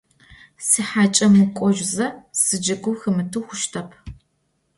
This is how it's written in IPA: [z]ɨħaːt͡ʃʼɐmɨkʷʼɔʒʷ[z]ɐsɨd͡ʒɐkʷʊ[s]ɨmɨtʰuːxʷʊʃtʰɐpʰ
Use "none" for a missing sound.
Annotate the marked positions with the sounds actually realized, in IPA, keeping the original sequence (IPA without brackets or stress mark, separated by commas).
s, z, x